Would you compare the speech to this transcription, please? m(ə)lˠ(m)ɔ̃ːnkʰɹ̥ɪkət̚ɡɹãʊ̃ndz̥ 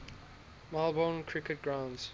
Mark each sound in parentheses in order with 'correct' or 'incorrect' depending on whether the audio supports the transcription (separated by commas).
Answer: incorrect, incorrect